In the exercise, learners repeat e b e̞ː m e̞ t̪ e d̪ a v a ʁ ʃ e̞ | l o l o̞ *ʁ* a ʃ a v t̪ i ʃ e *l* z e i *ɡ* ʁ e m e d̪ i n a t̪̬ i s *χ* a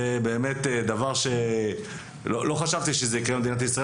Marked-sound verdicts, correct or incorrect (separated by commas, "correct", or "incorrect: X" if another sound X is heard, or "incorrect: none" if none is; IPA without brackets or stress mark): incorrect: χ, incorrect: none, incorrect: k, incorrect: ʁ